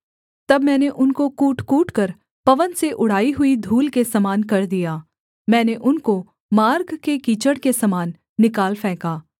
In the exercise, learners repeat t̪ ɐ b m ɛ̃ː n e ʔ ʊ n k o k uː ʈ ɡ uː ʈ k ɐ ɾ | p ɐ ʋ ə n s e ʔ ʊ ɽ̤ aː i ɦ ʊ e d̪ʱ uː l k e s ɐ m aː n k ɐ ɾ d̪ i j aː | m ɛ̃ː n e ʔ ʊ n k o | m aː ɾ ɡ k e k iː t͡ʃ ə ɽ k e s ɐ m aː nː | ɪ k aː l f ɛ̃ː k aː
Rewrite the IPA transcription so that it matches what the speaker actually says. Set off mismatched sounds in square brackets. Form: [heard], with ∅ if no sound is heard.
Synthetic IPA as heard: t̪ ɐ b m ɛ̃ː n e ʔ ʊ n k o k uː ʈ [k] uː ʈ k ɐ ɾ | p ɐ ʋ ə n s e ʔ ʊ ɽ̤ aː i ɦ ʊ [i] d̪ʱ uː l k e s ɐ m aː n k ɐ ɾ d̪ i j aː | m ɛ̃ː n e ʔ ʊ n k o | m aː ɾ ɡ k e k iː t͡ʃ ə ɽ k e s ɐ m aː nː | ɪ k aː l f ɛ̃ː k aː